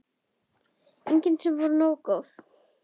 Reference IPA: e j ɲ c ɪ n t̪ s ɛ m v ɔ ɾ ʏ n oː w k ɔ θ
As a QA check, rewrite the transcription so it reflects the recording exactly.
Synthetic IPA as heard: e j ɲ c ɪ n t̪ s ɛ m v ɔ ɾ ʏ n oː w k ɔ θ